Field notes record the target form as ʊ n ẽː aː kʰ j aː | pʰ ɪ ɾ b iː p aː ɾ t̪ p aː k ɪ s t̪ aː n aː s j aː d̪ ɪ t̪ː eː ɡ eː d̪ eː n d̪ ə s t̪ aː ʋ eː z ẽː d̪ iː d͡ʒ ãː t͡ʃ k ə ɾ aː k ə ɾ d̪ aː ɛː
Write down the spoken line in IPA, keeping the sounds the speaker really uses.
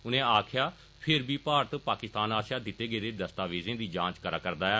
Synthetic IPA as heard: ʊ n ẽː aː kʰ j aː | pʰ ɪ ɾ b iː p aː ɾ t̪ p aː k ɪ s t̪ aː n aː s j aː d̪ ɪ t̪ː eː ɡ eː d̪ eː d̪ ə s t̪ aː ʋ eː z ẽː d̪ iː d͡ʒ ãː t͡ʃ k ə ɾ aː k ə ɾ d̪ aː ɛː